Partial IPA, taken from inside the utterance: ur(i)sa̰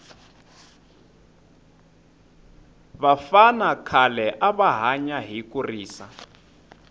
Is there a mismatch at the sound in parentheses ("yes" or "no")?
yes